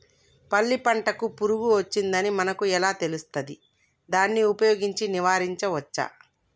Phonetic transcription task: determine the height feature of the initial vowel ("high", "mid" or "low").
low